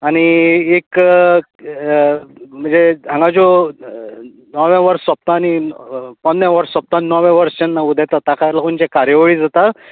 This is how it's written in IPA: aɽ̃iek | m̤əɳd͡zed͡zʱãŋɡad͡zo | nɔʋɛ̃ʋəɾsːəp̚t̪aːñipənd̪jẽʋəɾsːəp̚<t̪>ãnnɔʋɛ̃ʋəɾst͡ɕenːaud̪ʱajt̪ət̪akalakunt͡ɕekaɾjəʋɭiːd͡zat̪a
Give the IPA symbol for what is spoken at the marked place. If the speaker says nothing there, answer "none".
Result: t̪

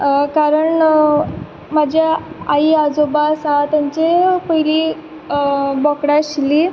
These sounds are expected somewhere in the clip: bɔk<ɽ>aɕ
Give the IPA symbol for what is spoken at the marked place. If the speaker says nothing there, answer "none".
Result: ɽ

